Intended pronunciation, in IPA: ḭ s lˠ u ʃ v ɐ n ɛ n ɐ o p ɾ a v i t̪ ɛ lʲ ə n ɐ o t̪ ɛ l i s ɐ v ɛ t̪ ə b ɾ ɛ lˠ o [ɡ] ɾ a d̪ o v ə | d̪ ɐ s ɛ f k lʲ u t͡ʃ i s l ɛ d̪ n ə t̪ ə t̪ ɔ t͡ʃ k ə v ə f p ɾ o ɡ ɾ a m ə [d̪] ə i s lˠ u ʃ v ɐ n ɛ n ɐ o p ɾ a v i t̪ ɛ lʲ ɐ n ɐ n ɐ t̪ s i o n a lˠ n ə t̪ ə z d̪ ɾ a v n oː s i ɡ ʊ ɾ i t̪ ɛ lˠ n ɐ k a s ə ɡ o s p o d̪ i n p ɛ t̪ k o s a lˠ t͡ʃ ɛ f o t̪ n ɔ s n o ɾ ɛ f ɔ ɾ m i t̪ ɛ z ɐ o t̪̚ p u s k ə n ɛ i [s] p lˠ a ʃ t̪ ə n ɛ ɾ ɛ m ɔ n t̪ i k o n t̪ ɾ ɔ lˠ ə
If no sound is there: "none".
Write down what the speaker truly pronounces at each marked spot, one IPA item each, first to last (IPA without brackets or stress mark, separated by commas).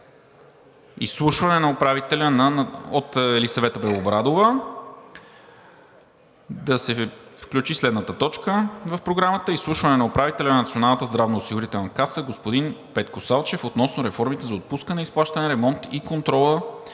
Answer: b, t̪, s